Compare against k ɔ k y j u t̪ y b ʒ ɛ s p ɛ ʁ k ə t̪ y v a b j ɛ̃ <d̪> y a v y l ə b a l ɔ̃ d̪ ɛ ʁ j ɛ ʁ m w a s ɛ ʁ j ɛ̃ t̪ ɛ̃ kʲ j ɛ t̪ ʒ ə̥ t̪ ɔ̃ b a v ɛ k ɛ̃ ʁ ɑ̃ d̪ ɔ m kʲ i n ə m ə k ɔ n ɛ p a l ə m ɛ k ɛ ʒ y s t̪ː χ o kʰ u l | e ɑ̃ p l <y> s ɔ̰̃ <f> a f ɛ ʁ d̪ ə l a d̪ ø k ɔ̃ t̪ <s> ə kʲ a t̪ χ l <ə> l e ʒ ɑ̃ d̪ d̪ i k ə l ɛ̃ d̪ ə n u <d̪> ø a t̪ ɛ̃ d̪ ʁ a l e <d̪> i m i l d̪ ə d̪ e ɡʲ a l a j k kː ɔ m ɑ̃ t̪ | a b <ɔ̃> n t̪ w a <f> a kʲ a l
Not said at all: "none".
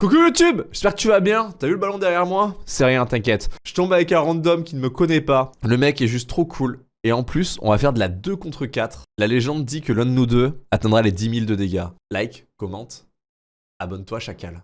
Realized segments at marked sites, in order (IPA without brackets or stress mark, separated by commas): t̪, y, v, χ, a, d̪, d̪, ɔ, ʃ